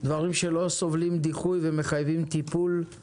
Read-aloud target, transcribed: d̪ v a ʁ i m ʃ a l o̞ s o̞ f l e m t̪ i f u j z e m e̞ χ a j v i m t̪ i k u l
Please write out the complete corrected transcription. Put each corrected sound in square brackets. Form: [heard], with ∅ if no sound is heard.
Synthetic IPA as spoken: d̪ v a ʁ i m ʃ [e] l o̞ s o̞ [v] l [i] m [d̪] i [χ] u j [v] e m e̞ χ a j v i m t̪ i [p] u l